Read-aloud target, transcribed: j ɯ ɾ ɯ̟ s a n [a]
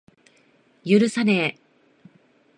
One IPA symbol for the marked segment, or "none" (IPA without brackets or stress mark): e